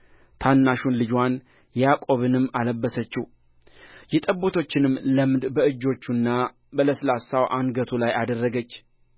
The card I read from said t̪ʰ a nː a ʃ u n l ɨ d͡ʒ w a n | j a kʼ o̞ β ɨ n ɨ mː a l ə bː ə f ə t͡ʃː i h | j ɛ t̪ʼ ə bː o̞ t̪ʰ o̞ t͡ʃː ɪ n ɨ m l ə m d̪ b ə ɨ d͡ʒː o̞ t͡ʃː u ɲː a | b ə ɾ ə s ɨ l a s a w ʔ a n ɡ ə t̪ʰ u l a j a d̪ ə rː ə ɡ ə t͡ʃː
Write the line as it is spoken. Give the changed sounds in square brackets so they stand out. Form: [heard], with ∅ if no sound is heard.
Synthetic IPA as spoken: t̪ʰ a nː a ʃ u n l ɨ d͡ʒ w a n | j a kʼ o̞ β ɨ n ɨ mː a l ə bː ə [s] ə t͡ʃː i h | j ɛ t̪ʼ ə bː o̞ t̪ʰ o̞ t͡ʃː ɪ n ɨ m l ə m d̪ b ə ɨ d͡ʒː o̞ t͡ʃː u [nː] a | b ə [l] ə s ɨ l a s a w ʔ a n ɡ ə t̪ʰ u l a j a d̪ ə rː ə ɡ ə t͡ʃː